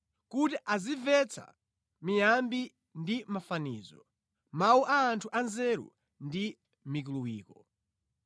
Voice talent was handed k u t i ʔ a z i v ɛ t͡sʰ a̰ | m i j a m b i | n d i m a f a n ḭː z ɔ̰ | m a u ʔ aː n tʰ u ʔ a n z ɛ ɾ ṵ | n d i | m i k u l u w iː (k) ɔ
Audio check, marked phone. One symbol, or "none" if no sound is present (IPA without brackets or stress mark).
k